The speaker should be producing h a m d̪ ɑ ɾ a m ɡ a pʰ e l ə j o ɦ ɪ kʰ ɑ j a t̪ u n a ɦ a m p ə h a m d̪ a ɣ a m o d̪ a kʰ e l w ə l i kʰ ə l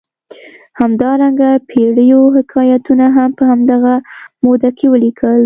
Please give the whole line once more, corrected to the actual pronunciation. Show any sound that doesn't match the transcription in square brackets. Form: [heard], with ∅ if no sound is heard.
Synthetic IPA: h a m d̪ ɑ ɾ a [ŋ] ɡ a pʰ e [ɽ] ə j o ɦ ɪ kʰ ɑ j a t̪ u n a ɦ a m p ə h a m d̪ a ɣ a m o d̪ a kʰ e [∅] w ə l i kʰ ə l